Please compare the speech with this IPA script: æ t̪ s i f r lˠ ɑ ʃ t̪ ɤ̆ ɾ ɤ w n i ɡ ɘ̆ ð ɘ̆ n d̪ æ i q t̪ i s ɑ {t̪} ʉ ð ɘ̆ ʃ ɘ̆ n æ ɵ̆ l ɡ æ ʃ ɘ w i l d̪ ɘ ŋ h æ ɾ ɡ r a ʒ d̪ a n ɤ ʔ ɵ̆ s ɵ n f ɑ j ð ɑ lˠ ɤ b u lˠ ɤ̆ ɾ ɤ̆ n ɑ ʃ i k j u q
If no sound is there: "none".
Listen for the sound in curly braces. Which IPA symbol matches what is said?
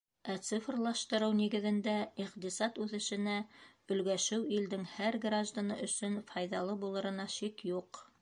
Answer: t̪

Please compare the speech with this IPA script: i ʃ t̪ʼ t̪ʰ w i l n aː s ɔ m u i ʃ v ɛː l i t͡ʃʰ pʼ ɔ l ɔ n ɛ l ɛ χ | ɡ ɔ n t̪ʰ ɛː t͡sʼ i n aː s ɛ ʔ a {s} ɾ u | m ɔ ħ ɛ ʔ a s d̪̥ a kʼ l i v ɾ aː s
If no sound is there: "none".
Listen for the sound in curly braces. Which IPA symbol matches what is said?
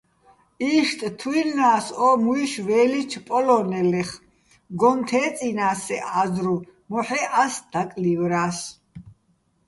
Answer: z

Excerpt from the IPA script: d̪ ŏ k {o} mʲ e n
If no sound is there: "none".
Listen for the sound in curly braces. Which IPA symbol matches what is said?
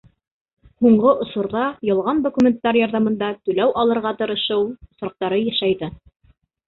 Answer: u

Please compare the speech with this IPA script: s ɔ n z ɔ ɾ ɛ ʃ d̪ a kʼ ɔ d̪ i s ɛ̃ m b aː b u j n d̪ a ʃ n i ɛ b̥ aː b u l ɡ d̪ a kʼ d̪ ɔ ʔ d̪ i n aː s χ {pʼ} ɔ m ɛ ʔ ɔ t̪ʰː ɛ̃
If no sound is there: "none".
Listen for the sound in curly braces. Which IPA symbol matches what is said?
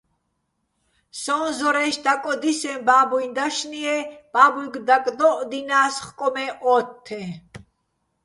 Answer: kʼ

